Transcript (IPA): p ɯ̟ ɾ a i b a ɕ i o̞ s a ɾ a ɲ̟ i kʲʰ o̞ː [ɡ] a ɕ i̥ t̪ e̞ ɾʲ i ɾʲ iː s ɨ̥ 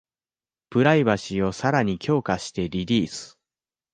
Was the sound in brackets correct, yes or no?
no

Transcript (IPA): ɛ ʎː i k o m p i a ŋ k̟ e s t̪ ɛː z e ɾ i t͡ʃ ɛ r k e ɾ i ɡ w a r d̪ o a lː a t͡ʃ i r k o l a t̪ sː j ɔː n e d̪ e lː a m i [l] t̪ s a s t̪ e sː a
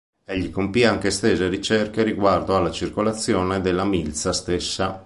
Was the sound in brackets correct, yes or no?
yes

